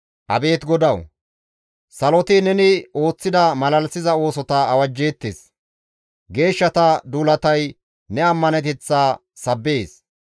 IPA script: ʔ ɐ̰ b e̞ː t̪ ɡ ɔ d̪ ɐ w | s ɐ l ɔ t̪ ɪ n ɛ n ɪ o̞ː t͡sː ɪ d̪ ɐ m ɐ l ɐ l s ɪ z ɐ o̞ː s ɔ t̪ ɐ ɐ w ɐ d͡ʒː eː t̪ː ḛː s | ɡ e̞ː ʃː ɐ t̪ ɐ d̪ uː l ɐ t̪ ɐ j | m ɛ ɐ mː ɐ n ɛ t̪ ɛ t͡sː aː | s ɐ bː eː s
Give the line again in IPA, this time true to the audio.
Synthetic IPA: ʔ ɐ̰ b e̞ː t̪ ɡ ɔ d̪ ɐ w | s ɐ l ɔ t̪ ɪ n ɛ n ɪ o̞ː t͡sː ɪ d̪ ɐ m ɐ l ɐ l s ɪ z ɐ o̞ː s ɔ t̪ ɐ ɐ w ɐ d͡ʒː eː t̪ː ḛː s | ɡ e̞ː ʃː ɐ t̪ ɐ d̪ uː l ɐ t̪ ɐ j | n ɛ ɐ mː ɐ n ɛ t̪ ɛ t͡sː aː | s ɐ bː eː s

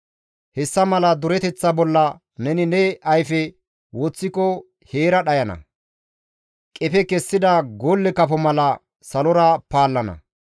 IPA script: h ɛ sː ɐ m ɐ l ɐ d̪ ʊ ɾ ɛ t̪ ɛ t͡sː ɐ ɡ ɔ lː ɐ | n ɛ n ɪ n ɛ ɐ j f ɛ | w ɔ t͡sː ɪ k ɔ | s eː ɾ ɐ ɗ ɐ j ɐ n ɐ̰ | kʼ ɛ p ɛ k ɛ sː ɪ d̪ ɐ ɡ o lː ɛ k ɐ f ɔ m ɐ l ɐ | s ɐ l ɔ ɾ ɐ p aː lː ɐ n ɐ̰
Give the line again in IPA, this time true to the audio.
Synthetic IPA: h ɛ sː ɐ m ɐ l ɐ d̪ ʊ ɾ ɛ t̪ ɛ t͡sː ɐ b ɔ lː ɐ | n ɛ n ɪ n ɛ ɐ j f ɛ | w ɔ t͡sː ɪ k ɔ | h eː ɾ ɐ ɗ ɐ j ɐ n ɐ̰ | kʼ ɛ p ɛ k ɛ sː ɪ d̪ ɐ ɡ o lː ɛ k ɐ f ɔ m ɐ l ɐ | s ɐ l ɔ ɾ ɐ p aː lː ɐ n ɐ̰

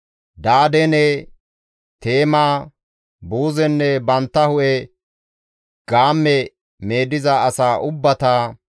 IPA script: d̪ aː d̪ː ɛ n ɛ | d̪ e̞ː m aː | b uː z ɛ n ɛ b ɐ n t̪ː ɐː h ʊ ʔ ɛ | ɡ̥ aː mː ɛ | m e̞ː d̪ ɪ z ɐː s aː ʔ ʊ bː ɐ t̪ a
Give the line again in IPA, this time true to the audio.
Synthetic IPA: d̪ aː d̪ ɛ n ɛ | t̪ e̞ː m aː | b uː z ɛ nː ɛ b ɐ n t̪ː ɐ h ʊ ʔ ɛ | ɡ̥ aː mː ɛ | m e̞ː d̪ ɪ z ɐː s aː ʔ ʊ bː ɐ t̪ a

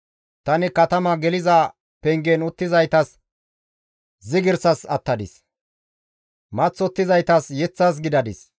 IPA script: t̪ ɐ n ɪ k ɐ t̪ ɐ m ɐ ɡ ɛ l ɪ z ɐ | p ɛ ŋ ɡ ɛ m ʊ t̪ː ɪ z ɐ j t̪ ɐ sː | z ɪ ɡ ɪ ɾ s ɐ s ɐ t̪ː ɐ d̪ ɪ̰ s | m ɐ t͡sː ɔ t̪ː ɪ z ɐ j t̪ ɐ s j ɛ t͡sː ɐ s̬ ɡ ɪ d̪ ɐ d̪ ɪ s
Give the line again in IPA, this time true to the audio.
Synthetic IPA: t̪ ɐ n ɪ k ɐ t̪ ɐ m ɐ ɡ ɛ l ɪ z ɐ | p ɛ ŋ ɡ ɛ n ʊ t̪ː ɪ z ɐ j t̪ ɐ s | z ɪ ɡ ɪ ɾ s ɐ s ɐ t̪ː ɐ d̪ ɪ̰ s | m ɐ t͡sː ɔ t̪ː ɪ z ɐ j t̪ ɐ s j ɛ t͡sː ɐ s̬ ɡ ɪ d̪ ɐ d̪ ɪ s

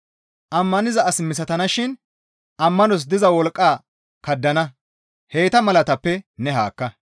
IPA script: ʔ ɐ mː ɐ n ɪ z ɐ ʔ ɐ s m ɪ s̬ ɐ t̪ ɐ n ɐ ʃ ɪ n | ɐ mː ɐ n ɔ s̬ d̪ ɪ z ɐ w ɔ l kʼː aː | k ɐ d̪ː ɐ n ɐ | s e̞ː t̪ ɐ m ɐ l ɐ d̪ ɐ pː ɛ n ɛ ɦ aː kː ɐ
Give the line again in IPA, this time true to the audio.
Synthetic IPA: ʔ ɐ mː ɐ n ɪ z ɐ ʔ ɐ s m ɪ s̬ ɐ t̪ ɐ n ɐ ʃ ɪ n | ɐ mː ɐ n ɔ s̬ d̪ ɪ z ɐ w ɔ l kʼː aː | k ɐ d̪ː ɐ n ɐ | h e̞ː t̪ ɐ m ɐ l ɐ t̪ ɐ pː ɛ n ɛ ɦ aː kː ɐ

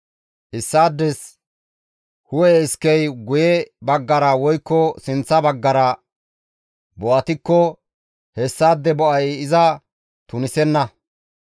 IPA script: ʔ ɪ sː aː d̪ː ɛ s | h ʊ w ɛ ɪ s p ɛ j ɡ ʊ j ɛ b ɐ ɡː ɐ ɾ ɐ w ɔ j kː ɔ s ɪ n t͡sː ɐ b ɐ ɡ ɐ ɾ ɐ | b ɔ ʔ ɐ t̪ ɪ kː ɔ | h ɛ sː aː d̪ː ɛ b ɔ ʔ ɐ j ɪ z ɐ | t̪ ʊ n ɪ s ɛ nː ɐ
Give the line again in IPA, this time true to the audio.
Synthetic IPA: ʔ ɪ sː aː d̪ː ɛ s | h ʊ w ɛ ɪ s k ɛ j ɡ ʊ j ɛ b ɐ ɡː ɐ ɾ ɐ w ɔ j kː ɔ s ɪ n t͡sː ɐ b ɐ ɡː ɐ ɾ ɐ | b ɔ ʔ ɐ t̪ ɪ kː ɔ | h ɛ sː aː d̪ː ɛ b ɔ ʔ ɐ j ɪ z ɐ | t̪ ʊ n ɪ s ɛ nː ɐ

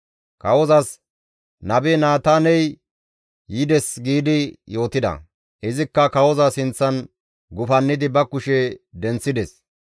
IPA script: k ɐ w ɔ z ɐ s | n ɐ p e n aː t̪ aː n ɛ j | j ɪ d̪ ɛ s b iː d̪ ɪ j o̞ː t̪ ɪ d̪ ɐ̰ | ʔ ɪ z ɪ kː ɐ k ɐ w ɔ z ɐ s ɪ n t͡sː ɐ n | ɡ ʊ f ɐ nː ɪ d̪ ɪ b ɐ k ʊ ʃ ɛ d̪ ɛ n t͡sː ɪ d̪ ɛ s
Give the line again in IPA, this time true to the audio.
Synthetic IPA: k ɐ w ɔ z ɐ s | n ɐ b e n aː t̪ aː n ɛ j | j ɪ d̪ ɛ s ɡ iː d̪ ɪ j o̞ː t̪ ɪ d̪ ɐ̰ | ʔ ɪ z ɪ kː ɐ k ɐ w ɔ z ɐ s ɪ n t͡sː ɐ n | ɡ ʊ f ɐ nː ɪ d̪ ɪ b ɐ k ʊ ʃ ɛ d̪ ɛ n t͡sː ɪ d̪ ɛ s

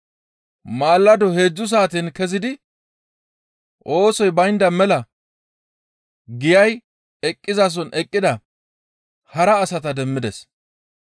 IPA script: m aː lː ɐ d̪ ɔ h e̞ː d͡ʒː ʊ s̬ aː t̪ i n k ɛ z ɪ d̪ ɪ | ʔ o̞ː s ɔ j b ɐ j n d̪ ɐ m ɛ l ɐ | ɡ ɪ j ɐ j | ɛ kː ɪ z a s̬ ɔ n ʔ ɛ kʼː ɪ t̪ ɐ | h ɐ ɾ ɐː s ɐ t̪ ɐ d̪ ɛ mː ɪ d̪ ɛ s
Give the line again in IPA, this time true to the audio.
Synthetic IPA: m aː lː ɐ d̪ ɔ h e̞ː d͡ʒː ʊ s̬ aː t̪ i n k ɛ z ɪ d̪ ɪ | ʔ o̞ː s ɔ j b ɐ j n d̪ ɐ m ɛ l ɐ | ɡ ɪ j ɐ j | ɛ kʼː ɪ z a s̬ ɔ n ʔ ɛ kʼː ɪ d̪ ɐ | h ɐ ɾ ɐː s ɐ t̪ ɐ d̪ ɛ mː ɪ d̪ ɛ s

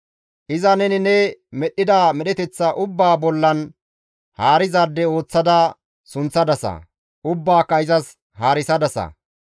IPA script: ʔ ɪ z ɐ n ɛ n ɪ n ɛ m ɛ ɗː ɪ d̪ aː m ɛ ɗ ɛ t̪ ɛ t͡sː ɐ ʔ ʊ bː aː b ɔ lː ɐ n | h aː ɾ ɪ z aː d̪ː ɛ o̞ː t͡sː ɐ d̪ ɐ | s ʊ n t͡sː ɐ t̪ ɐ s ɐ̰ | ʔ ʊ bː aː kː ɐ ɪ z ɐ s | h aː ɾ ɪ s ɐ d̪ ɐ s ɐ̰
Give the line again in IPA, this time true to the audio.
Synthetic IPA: ʔ ɪ z ɐ n ɛ n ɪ n ɛ m ɛ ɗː ɪ d̪ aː m ɛ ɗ ɛ t̪ ɛ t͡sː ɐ ʔ ʊ bː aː b ɔ lː ɐ n | h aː ɾ ɪ z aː d̪ː ɛ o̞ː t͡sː ɐ d̪ ɐ | s ʊ n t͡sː ɐ d̪ ɐ s ɐ̰ | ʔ ʊ bː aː kː ɐ ɪ z ɐ s | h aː ɾ ɪ s ɐ d̪ ɐ s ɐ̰

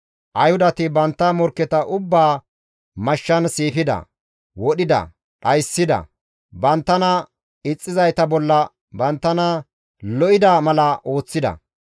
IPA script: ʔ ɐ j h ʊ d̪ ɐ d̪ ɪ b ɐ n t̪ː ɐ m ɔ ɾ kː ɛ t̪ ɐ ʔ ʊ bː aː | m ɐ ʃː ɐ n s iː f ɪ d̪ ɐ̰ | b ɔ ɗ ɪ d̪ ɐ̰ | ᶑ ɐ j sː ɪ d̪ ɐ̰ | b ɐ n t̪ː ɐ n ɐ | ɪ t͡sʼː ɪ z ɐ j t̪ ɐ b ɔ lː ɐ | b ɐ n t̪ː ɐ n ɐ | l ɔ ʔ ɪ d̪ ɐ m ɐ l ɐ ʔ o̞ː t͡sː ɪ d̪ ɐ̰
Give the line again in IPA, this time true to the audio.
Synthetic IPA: ʔ ɐ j h ʊ d̪ ɐ t̪ ɪ b ɐ n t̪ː ɐ m ɔ ɾ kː ɛ t̪ ɐ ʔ ʊ bː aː | m ɐ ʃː ɐ n s iː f ɪ d̪ ɐ̰ | w ɔ ɗ ɪ d̪ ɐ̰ | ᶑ ɐ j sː ɪ d̪ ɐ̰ | b ɐ n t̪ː ɐ n ɐ | ɪ t͡sʼː ɪ z ɐ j t̪ ɐ b ɔ lː ɐ | b ɐ n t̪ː ɐ n ɐ | l ɔ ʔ ɪ d̪ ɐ m ɐ l ɐ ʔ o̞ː t͡sː ɪ d̪ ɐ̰

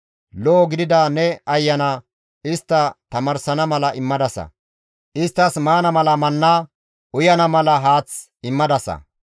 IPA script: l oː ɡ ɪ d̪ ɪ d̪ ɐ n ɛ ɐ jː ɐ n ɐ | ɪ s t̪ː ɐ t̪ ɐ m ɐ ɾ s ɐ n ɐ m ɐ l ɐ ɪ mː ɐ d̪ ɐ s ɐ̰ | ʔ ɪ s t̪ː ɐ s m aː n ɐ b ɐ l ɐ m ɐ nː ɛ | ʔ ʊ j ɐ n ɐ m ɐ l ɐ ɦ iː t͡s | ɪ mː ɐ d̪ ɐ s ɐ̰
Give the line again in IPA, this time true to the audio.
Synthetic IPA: l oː ɡ ɪ d̪ ɪ d̪ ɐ n ɛ ɐ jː ɐ n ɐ | ɪ s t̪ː ɐ t̪ ɐ m ɐ ɾ s ɐ n ɐ m ɐ l ɐ ɪ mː ɐ d̪ ɐ s ɐ̰ | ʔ ɪ s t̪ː ɐ s m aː n ɐ m ɐ l ɐ m ɐ nː a | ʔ ʊ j ɐ n ɐ m ɐ l ɐ ɦ aː t͡s | ɪ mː ɐ d̪ ɐ s ɐ̰

